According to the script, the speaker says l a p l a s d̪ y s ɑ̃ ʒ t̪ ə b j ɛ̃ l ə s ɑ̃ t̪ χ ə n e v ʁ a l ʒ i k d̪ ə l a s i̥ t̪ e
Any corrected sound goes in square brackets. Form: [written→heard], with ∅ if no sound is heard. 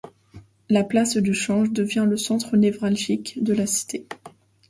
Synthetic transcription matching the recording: l a p l a s d̪ y [s→ʃ] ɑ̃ ʒ [t̪→d̪] ə [b→v] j ɛ̃ l ə s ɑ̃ t̪ χ ə n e v ʁ a l ʒ i k d̪ ə l a s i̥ t̪ e